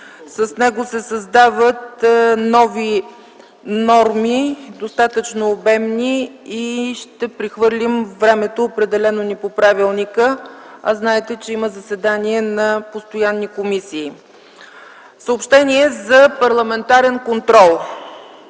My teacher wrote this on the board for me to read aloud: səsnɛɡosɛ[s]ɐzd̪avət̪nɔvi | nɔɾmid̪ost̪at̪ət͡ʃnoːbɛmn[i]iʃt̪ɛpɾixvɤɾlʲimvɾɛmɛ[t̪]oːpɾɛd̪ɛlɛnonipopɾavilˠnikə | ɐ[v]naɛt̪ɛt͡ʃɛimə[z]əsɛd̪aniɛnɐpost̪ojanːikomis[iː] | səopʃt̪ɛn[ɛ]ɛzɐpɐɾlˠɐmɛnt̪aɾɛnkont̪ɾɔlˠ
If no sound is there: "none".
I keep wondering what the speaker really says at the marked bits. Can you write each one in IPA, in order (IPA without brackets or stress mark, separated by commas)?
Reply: s, i, t̪, z, z, iː, i